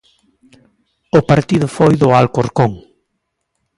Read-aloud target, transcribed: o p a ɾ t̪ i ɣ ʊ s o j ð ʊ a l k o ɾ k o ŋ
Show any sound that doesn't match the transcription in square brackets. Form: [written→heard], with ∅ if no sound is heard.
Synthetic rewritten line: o p a ɾ t̪ i [ɣ→ð] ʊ [s→f] o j ð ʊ a l k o ɾ k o ŋ